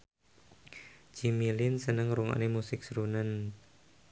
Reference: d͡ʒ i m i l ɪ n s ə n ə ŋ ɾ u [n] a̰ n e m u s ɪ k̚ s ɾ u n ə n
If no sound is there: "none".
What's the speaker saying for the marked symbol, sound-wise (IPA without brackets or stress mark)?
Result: ŋ